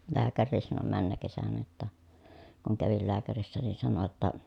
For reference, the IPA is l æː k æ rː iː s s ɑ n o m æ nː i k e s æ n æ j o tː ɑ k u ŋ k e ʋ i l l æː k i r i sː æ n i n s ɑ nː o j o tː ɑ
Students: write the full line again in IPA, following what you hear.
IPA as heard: l æː k æ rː iː s s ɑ n o m æ nː æ k e s æ n æ j o tː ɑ k u ŋ k æ ʋ i l l æː k æ r i sː æ n i n s ɑ n o j o tː ɑ